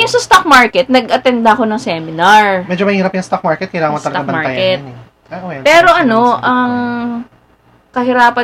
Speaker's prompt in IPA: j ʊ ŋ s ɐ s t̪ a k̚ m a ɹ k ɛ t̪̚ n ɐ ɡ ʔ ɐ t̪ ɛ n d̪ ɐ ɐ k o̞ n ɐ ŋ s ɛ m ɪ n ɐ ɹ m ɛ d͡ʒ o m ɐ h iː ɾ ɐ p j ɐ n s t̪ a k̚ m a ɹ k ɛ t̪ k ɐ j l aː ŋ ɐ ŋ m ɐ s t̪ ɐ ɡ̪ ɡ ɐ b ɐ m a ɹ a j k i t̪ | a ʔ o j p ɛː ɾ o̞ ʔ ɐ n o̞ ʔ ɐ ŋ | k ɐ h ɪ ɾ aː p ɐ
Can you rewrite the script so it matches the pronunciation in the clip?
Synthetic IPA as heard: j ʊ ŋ s ɐ s t̪ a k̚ m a ɹ k ɛ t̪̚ n ɐ ɡ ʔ ɐ t̪ ɛ n d̪ ɐ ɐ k o̞ n ɐ ŋ s ɛ m ɪ n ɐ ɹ m ɛ d͡ʒ o m ɐ h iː ɾ ɐ p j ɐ ŋ s t̪ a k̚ m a ɹ k ɛ t̪ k ɐ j l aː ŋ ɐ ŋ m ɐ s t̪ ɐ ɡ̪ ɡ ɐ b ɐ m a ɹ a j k ɛ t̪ | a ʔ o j p ɛː ɾ o̞ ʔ ɐ n o̞ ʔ ɐ ŋ | k ɐ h ɪ ɾ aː p ɐ